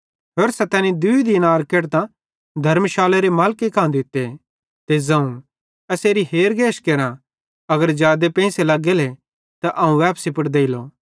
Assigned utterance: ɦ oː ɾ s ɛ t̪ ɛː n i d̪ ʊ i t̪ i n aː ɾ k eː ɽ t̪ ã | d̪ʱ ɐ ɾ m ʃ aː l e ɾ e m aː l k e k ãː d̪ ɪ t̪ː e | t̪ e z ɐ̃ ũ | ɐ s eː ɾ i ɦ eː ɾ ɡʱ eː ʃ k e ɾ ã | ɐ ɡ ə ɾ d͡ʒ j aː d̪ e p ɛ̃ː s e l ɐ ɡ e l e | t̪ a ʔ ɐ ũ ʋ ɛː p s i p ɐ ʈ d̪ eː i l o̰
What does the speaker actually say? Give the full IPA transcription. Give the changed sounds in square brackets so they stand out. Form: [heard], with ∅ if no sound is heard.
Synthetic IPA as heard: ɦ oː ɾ s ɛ t̪ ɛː n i d̪ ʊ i [d̪] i n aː ɾ k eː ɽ t̪ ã | d̪ʱ ɐ ɾ m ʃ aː l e ɾ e m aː l k e k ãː d̪ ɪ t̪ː e | t̪ e z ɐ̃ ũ | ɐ s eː ɾ i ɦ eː ɾ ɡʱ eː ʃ k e ɾ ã | ɐ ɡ ə ɾ d͡ʒ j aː d̪ e p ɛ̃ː s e l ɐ ɡ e l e | t̪ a ʔ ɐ ũ ʋ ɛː p s i p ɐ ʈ d̪ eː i l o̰